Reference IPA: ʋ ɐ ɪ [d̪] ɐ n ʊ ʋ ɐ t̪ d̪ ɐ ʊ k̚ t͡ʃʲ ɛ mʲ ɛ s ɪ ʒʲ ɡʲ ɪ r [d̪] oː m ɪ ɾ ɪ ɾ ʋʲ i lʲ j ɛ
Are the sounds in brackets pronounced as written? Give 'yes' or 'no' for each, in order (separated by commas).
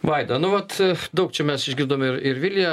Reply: yes, yes